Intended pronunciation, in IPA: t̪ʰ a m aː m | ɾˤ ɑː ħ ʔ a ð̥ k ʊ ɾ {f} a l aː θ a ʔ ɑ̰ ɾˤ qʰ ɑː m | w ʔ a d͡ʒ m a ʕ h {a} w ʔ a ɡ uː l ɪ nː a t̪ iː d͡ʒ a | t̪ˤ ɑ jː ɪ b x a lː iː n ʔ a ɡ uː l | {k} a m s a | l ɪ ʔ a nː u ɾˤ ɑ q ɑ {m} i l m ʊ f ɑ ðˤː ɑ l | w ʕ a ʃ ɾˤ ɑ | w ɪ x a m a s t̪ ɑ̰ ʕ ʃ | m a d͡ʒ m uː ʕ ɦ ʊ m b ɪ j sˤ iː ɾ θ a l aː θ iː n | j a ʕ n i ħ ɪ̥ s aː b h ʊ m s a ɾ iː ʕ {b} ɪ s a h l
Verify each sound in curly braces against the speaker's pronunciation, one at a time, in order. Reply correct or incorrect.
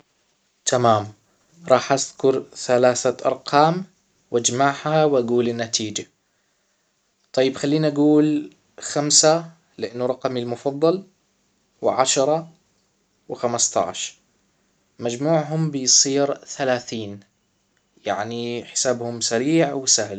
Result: incorrect: θ, correct, incorrect: x, correct, incorrect: w

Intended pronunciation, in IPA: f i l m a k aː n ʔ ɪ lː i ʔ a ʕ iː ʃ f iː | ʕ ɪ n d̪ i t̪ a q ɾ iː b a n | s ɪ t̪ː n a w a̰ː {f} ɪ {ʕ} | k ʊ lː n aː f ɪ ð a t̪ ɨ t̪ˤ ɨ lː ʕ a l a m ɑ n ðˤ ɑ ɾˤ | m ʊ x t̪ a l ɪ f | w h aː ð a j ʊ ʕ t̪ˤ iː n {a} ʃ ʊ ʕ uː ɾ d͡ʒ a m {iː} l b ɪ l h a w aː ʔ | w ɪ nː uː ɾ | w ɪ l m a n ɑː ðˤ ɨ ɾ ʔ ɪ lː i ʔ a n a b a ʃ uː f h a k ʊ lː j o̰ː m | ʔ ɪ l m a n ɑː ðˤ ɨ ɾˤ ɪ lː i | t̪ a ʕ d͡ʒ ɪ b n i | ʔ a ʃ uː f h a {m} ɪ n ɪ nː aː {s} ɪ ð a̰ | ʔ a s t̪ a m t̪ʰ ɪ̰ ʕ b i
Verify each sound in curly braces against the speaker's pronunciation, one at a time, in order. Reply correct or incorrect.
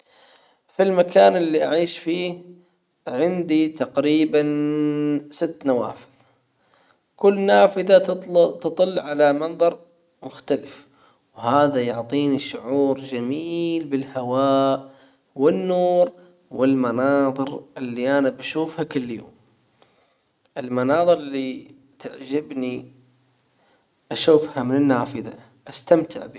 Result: correct, incorrect: ð, incorrect: i, correct, correct, incorrect: f

